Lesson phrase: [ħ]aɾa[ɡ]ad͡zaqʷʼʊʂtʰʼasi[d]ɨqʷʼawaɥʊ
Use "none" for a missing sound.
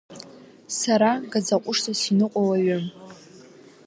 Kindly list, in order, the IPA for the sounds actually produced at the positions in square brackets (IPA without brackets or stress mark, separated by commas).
s, ɡ, n